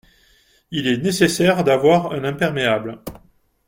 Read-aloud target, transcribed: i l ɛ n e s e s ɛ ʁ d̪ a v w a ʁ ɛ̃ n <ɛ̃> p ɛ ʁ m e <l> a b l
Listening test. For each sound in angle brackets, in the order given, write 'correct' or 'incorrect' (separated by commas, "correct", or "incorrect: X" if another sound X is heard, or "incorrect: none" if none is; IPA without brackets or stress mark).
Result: correct, incorrect: none